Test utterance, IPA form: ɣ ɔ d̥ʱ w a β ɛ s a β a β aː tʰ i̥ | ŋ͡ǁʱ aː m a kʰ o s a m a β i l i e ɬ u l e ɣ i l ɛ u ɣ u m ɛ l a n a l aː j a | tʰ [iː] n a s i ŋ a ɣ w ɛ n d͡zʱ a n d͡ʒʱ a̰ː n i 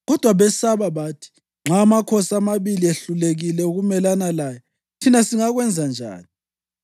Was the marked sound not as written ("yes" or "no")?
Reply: yes